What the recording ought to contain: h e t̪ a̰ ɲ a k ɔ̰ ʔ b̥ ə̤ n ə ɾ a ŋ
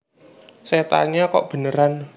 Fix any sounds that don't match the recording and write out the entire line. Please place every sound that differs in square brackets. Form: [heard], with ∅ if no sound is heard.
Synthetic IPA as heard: [s] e t̪ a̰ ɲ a k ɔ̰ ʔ b̥ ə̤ n ə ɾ a [n]